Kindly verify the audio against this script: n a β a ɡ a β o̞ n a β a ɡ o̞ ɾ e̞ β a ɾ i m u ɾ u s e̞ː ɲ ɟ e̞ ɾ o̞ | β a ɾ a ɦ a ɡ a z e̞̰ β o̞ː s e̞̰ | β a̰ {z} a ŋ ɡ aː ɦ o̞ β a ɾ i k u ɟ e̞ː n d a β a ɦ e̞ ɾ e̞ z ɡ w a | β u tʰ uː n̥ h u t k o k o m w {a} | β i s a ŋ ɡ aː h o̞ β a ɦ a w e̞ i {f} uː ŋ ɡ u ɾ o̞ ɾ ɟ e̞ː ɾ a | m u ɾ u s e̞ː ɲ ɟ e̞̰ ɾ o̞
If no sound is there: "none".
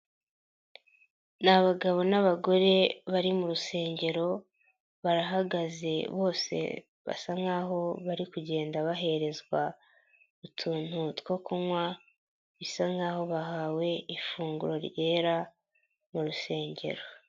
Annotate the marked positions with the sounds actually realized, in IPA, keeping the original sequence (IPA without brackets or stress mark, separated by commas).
s, a, f